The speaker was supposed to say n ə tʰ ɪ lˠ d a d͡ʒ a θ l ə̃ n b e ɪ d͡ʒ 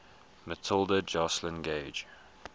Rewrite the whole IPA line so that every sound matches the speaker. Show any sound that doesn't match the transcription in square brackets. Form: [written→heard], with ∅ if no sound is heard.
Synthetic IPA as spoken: [n→m] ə tʰ ɪ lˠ d [a→ə] d͡ʒ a [θ→s] l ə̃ n [b→ɡ] e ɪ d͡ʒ